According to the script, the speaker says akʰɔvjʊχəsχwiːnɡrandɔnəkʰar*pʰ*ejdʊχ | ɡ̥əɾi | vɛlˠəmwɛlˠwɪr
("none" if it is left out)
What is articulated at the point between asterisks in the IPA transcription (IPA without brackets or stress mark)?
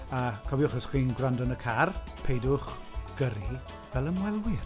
pʰ